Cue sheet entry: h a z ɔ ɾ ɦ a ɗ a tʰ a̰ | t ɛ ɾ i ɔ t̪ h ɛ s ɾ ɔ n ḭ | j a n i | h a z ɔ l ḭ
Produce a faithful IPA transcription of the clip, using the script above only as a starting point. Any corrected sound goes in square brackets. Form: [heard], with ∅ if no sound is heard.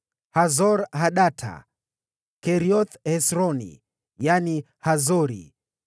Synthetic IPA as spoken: h a z ɔ ɾ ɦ a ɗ a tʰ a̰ | [k] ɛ ɾ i ɔ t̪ h ɛ s ɾ ɔ n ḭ | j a n i | h a z ɔ [ɾ] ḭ